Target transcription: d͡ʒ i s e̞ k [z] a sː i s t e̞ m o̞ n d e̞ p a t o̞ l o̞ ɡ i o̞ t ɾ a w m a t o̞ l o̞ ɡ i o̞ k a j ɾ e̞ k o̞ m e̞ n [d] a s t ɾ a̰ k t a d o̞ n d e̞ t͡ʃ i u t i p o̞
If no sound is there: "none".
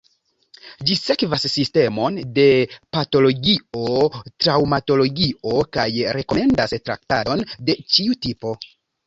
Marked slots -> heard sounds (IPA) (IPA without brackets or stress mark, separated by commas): v, d